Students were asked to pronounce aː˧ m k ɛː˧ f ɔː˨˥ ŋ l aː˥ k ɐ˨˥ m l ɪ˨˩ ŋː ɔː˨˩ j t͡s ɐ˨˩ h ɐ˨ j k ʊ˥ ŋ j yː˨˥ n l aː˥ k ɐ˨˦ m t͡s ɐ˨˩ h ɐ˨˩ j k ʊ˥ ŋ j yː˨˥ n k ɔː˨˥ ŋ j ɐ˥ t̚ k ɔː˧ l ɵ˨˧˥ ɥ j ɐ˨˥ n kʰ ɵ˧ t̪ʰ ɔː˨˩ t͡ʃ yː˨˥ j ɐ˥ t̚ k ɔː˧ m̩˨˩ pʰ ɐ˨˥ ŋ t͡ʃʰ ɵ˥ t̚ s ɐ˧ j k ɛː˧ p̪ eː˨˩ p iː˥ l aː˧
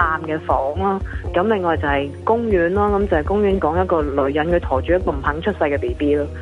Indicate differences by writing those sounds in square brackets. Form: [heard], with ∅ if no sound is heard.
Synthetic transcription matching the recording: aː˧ m k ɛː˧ f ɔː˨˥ ŋ l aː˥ k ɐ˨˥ m l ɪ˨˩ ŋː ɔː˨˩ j t͡s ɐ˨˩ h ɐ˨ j k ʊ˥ ŋ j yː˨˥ n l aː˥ k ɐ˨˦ m t͡s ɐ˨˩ h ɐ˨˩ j k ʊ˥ ŋ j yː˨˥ n k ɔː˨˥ ŋ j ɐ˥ t̚ k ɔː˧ l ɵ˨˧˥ ɥ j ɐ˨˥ n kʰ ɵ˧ t̪ʰ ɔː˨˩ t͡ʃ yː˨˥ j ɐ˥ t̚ k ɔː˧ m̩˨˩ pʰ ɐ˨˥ ŋ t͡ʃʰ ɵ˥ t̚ s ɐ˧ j k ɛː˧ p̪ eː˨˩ p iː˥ l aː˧